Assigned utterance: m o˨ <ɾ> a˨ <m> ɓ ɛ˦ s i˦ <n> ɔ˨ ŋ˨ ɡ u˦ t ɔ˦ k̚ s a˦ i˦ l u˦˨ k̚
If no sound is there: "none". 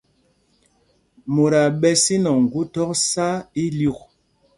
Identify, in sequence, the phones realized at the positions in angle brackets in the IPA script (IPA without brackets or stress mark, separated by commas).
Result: ɾ, none, n